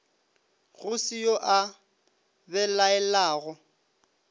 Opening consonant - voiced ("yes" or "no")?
yes